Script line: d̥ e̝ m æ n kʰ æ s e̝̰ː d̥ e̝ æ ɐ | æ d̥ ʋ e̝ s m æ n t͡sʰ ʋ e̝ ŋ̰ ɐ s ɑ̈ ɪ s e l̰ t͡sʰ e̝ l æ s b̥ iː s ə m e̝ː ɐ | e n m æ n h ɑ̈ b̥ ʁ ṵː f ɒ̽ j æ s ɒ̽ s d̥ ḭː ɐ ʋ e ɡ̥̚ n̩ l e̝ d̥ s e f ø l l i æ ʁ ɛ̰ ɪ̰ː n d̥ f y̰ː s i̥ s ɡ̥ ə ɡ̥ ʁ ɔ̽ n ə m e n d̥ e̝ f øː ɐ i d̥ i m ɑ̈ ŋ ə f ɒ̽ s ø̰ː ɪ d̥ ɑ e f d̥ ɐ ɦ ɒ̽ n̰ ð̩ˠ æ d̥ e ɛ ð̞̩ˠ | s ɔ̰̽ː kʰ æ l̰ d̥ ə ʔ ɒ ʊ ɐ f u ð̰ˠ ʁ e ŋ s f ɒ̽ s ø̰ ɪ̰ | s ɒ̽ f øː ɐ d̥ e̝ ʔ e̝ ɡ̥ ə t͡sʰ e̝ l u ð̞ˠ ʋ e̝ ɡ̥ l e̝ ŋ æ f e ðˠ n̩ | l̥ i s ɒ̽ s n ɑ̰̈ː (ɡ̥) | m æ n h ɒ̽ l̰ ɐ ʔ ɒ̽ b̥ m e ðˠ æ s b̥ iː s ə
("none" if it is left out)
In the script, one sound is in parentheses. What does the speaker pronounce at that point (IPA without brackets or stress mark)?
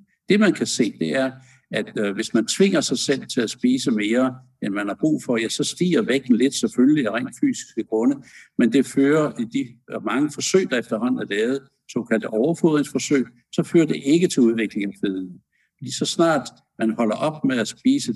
d̥